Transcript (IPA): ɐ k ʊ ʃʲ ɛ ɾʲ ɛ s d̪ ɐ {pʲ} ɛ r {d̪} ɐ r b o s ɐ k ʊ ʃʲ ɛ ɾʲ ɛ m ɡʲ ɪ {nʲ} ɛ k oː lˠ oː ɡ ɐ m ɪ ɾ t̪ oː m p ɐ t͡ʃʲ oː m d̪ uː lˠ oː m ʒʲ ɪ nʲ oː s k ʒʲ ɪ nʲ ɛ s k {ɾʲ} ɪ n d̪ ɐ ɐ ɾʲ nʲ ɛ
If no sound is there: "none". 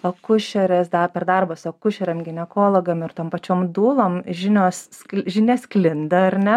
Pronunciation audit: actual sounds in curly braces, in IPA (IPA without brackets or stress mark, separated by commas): pʲ, d̪, nʲ, lʲ